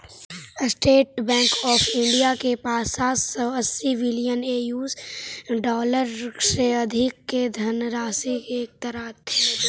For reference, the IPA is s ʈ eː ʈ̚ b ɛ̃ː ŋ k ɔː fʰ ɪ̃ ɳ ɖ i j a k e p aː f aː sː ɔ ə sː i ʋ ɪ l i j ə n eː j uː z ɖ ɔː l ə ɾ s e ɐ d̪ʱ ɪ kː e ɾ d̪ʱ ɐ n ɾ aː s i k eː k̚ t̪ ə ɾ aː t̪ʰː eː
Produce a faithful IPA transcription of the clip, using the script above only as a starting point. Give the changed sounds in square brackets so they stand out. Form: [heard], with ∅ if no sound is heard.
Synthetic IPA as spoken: s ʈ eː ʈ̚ b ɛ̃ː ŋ k ɔː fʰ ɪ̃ ɳ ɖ i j a k e p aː [s] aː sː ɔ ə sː i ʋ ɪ l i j ə n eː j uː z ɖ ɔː l ə ɾ s e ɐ d̪ʱ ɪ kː e [∅] d̪ʱ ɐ n ɾ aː s i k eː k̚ t̪ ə ɾ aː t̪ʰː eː